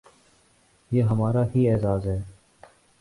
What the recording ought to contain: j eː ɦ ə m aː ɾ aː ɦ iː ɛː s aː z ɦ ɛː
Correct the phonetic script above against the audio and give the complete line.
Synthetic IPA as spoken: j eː ɦ ə m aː ɾ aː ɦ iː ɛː z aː z ɦ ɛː